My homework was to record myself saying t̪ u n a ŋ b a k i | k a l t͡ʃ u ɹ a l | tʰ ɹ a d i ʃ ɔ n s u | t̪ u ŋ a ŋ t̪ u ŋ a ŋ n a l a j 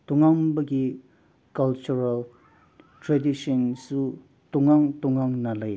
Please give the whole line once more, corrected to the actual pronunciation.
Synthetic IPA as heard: t̪ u ŋ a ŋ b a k i | k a l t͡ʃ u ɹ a l | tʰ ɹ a d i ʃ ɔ n s u | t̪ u ŋ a ŋ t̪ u ŋ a ŋ n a l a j